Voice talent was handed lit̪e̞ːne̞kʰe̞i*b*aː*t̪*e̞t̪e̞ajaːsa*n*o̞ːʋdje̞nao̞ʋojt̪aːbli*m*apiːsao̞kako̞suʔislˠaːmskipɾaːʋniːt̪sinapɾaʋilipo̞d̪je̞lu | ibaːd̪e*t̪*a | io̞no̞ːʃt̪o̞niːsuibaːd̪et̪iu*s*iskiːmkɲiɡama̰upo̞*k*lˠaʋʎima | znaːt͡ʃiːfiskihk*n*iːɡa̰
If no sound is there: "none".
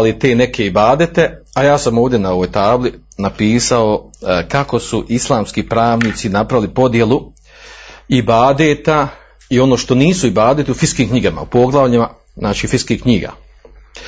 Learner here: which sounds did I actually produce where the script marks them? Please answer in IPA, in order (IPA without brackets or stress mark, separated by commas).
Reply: b, d̪, m, n, t̪, f, ɡ, ɲ